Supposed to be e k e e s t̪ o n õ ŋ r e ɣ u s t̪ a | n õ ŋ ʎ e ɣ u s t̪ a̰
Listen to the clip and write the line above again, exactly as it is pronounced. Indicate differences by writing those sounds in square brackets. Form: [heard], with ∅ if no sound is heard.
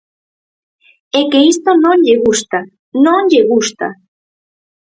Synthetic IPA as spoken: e k e [i] s t̪ o n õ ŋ [ʎ] e ɣ u s t̪ a | n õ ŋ ʎ e ɣ u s t̪ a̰

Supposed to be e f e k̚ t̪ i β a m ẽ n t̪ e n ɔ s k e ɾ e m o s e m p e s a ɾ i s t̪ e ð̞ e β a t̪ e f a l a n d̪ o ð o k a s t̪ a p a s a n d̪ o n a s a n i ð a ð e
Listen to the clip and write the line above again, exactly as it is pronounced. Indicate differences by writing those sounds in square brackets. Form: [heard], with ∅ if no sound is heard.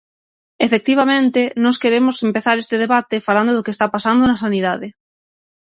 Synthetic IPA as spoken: e f e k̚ t̪ i β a m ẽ n t̪ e n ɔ s k e ɾ e m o s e m p e [θ] a ɾ [e] s t̪ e ð̞ e β a t̪ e f a l a n d̪ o ð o k [e] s t̪ a p a s a n d̪ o n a s a n i ð a ð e

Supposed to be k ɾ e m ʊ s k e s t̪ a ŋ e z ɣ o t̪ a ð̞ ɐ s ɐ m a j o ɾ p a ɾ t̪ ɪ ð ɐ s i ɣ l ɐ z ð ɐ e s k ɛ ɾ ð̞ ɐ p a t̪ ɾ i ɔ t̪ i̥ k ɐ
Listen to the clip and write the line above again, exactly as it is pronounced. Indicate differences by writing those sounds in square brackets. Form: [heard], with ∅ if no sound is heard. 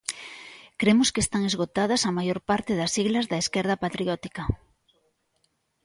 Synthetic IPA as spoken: k ɾ e m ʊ s k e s t̪ a ŋ e z ɣ o t̪ a ð̞ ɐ s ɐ m a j o ɾ p a ɾ t̪ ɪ ð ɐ s i ɣ l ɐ z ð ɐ e s k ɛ ɾ ð̞ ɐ p a t̪ ɾ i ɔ t̪ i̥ k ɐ

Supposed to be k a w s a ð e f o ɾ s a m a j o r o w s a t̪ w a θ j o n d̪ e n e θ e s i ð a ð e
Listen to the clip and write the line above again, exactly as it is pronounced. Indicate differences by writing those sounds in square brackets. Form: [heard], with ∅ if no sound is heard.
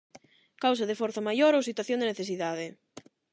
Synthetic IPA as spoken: k a w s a ð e f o ɾ [θ] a m a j o [ɾ] o w s [i] t̪ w a θ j o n d̪ e n e θ e s i ð a ð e

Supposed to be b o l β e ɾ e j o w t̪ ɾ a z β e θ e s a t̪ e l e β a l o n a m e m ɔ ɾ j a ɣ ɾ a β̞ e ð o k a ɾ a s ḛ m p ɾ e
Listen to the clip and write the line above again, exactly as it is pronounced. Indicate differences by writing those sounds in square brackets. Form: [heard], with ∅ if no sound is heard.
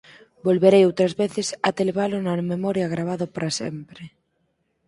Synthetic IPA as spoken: b o l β e ɾ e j o w t̪ ɾ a z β e θ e s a t̪ e l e β a l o n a m e m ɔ ɾ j a ɣ ɾ a β̞ [a] ð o [p] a ɾ a s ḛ m p ɾ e

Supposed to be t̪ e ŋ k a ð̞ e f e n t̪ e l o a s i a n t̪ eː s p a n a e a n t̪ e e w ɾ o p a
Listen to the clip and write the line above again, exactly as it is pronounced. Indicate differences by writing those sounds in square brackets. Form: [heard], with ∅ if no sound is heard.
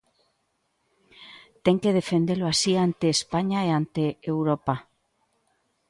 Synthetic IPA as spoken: t̪ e ŋ k [e] ð̞ e f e n [d̪] e l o a s i a n t̪ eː s p a [ɲ] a e a n t̪ e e w ɾ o p a

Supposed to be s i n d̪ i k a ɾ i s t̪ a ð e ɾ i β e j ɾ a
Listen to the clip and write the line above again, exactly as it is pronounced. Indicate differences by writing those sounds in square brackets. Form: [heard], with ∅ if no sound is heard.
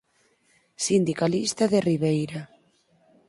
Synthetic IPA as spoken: s i n d̪ i k a [l] i s t̪ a ð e [r] i β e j ɾ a

